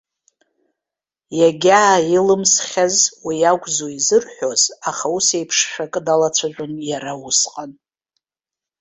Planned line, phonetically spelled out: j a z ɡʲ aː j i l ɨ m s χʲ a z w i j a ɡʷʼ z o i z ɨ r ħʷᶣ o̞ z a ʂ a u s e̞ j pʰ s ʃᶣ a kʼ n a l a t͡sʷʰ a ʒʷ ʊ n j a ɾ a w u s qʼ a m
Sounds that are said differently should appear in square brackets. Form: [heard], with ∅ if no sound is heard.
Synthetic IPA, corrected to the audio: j a [∅] ɡʲ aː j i l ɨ m s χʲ a z w i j a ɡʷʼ z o i z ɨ r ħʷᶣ o̞ z a [χ] a u s e̞ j pʰ [ʂ] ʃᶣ a kʼ [d] a l a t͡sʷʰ a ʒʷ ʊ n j a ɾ a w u s qʼ a [n]

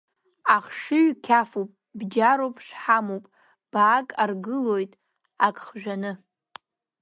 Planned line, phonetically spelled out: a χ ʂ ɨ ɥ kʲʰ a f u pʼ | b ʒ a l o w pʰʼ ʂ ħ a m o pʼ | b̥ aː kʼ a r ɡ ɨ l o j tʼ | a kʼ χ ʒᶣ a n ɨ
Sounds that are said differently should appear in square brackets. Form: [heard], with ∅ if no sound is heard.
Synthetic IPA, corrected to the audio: a χ ʂ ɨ ɥ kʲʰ a f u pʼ | b [d͡ʒ] a [ɾ] o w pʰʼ ʂ ħ a m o pʼ | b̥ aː kʼ a r ɡ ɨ l o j tʼ | a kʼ χ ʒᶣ a n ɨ

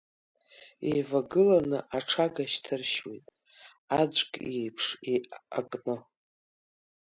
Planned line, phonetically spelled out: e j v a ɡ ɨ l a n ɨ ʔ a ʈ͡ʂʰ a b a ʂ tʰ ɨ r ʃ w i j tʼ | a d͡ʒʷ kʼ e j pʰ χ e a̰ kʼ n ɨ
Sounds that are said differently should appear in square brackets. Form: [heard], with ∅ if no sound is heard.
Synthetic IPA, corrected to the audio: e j v a ɡ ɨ l a n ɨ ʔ a ʈ͡ʂʰ a [ɡ] a [ʃ] tʰ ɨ r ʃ w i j tʼ | a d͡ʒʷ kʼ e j pʰ [ʂ] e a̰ kʼ n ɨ

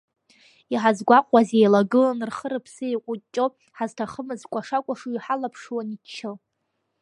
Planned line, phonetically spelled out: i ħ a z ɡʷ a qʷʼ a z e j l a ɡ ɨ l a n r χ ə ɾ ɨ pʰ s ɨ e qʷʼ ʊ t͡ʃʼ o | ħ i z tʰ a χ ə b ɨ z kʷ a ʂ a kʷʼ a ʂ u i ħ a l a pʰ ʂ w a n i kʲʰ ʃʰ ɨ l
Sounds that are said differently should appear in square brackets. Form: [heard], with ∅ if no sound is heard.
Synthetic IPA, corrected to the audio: i ħ a z ɡʷ a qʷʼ a z e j l a ɡ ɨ l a n r χ ə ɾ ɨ pʰ s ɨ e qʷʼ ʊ t͡ʃʼ o | ħ [a] z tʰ a χ ə [m] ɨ z kʷ a ʂ a kʷʼ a ʂ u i ħ a l a pʰ ʂ w a n i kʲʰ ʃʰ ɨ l

